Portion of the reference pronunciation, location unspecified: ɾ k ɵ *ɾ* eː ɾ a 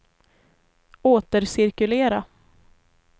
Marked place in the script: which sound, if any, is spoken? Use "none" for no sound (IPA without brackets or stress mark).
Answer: l